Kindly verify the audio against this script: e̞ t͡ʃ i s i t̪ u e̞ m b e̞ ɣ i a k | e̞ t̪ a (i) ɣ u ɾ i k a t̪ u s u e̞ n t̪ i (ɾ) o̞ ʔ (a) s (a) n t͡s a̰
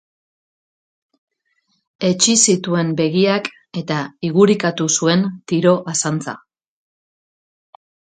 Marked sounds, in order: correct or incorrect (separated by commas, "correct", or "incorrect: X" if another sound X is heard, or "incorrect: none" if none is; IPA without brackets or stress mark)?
correct, correct, correct, correct